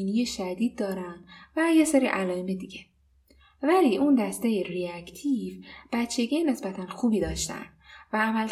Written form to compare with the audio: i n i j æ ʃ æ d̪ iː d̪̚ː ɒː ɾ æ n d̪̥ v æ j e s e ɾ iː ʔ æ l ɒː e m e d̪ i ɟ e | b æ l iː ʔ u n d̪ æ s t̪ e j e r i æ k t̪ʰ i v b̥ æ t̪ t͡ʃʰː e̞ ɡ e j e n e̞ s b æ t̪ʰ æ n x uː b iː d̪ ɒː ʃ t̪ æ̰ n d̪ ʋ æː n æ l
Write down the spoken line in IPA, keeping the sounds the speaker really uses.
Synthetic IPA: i n i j e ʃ æ d̪ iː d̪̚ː ɒː ɾ æ n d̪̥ v æ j e s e ɾ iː ʔ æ l ɒː e m e d̪ i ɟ e | v æ l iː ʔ u n d̪ æ s t̪ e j e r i æ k t̪ʰ i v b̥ æ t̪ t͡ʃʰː e̞ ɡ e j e n e̞ s b æ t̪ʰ æ n x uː b iː d̪ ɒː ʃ t̪ æ̰ n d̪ v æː m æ l